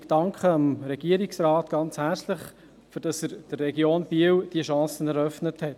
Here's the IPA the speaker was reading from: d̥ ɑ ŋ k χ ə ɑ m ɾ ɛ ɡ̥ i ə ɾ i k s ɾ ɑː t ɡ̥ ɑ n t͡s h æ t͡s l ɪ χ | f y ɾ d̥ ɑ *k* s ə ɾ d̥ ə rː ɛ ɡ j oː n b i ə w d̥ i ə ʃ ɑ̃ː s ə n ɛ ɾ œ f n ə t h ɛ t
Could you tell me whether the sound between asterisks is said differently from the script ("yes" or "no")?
yes